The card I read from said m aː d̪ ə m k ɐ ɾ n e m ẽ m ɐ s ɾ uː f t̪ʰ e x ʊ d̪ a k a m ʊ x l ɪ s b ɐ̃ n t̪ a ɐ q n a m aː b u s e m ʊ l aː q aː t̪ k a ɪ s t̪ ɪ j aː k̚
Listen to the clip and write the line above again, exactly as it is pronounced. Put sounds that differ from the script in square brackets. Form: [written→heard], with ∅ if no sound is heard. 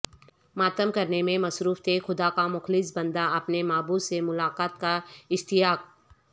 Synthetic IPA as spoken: m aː [d̪→t̪] ə m k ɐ ɾ n e m ẽ m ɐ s ɾ uː f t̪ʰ e x ʊ d̪ a k a m ʊ x l ɪ s b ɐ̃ n [t̪→d̪] a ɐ [q→p] n [a→e] m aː b u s e m ʊ l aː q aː t̪ k a ɪ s t̪ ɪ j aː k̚